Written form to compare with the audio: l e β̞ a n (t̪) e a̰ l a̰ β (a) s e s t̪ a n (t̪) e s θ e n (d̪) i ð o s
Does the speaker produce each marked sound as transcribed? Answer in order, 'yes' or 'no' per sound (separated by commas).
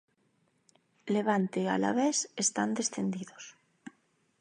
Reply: yes, no, no, yes